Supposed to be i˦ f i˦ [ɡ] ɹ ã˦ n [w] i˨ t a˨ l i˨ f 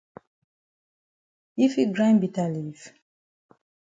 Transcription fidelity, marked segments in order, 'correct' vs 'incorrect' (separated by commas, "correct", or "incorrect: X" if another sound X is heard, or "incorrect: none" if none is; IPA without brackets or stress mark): correct, incorrect: b